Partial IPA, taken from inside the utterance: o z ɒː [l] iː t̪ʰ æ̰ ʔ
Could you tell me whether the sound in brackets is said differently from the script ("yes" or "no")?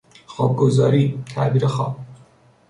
yes